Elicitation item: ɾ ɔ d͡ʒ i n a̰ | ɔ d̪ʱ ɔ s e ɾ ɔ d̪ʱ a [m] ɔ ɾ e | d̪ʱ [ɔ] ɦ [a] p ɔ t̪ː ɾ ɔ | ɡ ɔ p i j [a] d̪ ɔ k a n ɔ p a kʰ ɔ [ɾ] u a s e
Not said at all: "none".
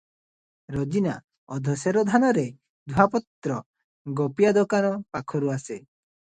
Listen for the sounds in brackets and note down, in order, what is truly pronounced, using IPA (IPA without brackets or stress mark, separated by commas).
n, u, a, a, ɾ